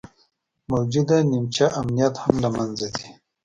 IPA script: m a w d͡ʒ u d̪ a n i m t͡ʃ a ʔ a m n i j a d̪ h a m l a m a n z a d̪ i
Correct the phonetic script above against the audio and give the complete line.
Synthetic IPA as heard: m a w d͡ʒ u d̪ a n i m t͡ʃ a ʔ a m n i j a t̪ h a m l a m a n z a d̪ i